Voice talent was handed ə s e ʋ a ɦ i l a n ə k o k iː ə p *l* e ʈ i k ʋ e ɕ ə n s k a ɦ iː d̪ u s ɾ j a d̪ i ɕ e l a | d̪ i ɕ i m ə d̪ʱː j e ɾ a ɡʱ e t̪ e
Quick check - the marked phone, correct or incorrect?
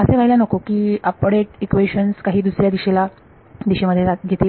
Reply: incorrect